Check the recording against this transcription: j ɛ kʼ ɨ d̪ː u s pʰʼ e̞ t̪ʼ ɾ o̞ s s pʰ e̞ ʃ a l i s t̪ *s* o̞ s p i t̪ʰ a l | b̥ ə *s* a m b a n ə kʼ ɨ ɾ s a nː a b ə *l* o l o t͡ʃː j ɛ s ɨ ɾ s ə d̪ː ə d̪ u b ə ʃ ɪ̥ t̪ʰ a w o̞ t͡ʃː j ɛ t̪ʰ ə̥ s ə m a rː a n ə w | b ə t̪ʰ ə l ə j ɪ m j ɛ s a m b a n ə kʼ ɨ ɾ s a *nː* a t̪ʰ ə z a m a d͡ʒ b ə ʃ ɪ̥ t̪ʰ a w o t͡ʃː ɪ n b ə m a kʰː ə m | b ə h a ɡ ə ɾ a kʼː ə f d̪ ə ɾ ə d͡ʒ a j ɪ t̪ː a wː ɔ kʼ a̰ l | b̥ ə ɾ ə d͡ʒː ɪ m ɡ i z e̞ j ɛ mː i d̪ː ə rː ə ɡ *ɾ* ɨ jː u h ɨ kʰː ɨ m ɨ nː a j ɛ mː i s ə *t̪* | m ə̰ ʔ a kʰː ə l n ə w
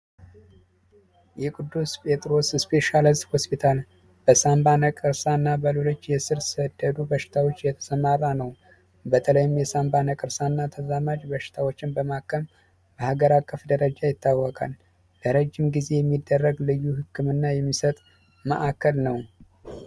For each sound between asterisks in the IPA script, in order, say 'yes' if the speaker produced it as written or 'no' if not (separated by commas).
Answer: no, yes, yes, yes, no, no